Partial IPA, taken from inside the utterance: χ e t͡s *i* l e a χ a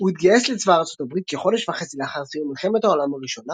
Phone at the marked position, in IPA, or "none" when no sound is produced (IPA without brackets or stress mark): i